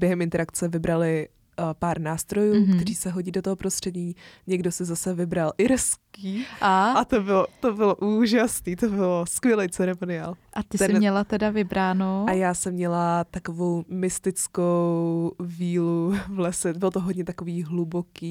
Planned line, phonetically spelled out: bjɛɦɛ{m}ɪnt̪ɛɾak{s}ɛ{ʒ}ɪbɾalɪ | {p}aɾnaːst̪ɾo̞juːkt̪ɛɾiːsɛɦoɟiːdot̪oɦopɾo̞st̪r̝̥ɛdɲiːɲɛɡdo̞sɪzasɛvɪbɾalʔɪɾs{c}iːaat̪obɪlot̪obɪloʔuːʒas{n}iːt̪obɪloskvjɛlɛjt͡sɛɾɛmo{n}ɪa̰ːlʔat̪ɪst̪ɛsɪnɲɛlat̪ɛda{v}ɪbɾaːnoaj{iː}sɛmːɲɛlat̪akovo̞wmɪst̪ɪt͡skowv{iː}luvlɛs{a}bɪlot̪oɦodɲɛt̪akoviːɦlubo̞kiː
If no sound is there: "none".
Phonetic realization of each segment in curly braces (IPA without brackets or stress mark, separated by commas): m, t͡s, v, p, k, n, n, v, aː, iː, ɛ